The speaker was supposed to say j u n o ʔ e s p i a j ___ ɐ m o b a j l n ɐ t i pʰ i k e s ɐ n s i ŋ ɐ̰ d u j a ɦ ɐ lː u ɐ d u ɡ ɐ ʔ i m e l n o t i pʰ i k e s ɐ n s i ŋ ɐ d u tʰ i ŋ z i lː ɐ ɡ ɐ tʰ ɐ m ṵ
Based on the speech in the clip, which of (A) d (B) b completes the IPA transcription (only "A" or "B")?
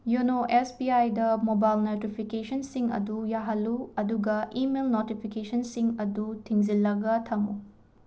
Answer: A